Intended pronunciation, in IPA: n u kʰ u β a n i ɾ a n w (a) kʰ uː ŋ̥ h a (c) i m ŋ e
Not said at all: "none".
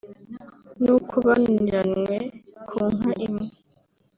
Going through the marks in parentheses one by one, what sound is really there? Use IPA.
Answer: e, ʔ

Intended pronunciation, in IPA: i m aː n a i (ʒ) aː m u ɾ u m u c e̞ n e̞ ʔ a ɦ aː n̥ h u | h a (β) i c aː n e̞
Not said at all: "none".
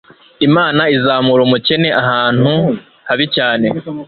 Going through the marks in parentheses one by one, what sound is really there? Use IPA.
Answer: z, β

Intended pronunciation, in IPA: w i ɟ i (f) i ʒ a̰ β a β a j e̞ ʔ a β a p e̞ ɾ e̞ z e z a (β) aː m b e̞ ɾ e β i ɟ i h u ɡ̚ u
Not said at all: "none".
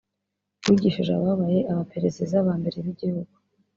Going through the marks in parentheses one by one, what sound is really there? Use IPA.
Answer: ʃ, β

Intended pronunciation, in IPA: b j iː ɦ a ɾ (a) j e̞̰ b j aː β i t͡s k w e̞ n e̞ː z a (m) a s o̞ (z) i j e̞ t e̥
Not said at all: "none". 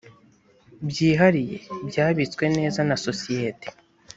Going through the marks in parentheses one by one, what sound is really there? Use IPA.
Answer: i, n, s

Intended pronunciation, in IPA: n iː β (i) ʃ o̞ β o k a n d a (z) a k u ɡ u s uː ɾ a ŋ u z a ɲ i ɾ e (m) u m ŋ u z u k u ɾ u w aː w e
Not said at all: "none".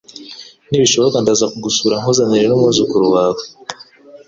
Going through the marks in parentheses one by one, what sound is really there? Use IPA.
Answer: i, z, n

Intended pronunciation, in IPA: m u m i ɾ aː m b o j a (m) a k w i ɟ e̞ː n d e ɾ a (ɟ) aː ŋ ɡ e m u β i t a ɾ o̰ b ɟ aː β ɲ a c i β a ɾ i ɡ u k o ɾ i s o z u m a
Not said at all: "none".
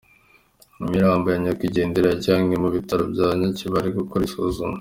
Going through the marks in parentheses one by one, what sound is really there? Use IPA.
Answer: ɲ, ɟ

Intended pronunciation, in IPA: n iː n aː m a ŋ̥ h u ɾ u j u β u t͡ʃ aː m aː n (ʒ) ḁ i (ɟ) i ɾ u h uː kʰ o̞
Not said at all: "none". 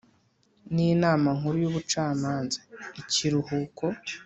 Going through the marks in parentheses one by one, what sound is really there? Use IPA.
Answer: z, c

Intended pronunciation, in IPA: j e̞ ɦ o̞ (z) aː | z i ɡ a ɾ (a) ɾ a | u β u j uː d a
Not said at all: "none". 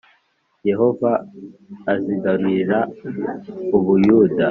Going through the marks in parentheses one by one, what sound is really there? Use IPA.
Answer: v, i

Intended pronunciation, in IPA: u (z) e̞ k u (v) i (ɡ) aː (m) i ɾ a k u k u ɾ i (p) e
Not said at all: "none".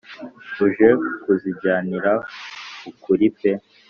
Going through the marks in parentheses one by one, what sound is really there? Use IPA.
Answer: ʒ, z, ɟ, n, p

